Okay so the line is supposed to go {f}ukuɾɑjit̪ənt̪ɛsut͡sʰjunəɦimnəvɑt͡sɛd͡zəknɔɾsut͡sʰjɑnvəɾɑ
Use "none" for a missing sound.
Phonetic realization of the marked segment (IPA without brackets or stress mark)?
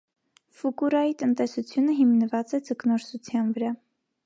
f